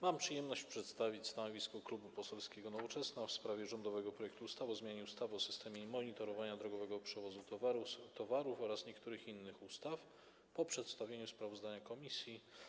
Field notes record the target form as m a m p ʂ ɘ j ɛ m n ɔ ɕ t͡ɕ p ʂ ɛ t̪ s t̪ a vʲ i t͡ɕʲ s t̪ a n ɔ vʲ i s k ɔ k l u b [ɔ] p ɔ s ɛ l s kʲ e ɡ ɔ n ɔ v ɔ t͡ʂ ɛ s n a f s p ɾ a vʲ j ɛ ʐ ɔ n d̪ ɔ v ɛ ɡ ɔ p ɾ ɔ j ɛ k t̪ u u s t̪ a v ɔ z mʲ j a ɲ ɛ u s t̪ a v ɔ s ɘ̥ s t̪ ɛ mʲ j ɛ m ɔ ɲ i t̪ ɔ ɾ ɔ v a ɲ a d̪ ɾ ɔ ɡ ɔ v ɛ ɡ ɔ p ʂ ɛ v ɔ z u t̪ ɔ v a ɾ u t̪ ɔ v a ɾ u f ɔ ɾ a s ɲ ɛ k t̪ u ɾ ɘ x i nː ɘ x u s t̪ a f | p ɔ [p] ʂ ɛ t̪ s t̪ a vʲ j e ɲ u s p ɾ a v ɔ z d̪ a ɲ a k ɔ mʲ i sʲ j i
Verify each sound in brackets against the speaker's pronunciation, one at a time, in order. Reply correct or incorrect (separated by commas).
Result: incorrect, correct